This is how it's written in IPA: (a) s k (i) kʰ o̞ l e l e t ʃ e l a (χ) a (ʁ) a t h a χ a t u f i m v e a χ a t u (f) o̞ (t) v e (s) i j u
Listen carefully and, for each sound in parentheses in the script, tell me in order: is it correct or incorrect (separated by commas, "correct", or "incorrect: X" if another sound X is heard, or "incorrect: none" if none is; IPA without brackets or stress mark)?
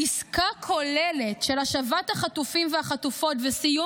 incorrect: i, incorrect: a, incorrect: ʃ, incorrect: v, correct, correct, correct